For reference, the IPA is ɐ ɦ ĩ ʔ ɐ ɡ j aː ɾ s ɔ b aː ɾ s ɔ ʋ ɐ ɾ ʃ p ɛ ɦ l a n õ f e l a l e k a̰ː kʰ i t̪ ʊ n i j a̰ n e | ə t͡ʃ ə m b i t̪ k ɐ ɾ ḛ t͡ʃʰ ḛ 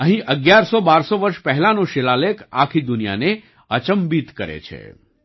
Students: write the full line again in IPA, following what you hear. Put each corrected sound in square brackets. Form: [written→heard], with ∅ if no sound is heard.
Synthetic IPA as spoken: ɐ ɦ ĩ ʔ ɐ ɡ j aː ɾ s ɔ b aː ɾ s ɔ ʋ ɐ ɾ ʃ p ɛ ɦ l a n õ [f→ʃ] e l a l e k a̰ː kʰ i [t̪→d̪] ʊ n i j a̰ n e | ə t͡ʃ ə m b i t̪ k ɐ ɾ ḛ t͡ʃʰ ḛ